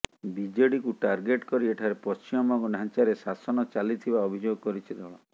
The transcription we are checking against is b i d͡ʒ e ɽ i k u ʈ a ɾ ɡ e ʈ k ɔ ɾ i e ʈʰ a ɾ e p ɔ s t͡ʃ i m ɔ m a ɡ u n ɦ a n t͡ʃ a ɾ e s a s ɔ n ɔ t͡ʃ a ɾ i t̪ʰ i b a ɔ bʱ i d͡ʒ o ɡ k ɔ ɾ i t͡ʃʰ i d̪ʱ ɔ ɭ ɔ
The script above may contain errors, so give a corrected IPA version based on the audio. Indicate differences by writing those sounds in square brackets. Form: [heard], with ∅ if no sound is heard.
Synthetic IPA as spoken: b i d͡ʒ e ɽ i k u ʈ a ɾ ɡ e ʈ k ɔ ɾ i e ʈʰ a ɾ e p ɔ s t͡ʃ i m ɔ m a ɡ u n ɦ a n t͡ʃ a ɾ e s a s ɔ n ɔ t͡ʃ a [l] i t̪ʰ i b a ɔ bʱ i d͡ʒ o ɡ k ɔ ɾ i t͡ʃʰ i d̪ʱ ɔ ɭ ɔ